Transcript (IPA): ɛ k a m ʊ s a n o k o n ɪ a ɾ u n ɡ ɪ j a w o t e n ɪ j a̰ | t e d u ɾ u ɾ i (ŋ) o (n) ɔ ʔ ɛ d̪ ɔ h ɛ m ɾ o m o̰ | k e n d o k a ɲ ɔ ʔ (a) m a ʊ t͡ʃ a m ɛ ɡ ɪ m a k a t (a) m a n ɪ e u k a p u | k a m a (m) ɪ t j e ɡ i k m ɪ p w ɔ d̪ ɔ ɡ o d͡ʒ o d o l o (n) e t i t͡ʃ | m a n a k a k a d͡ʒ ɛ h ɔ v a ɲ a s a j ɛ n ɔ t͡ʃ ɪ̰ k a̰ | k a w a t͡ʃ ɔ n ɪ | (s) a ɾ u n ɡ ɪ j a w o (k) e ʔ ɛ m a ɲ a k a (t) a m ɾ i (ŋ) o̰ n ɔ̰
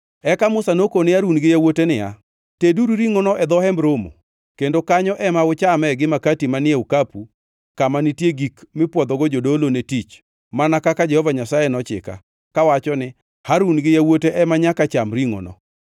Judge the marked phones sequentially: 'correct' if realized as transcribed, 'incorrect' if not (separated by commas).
correct, correct, incorrect, incorrect, incorrect, correct, incorrect, incorrect, incorrect, correct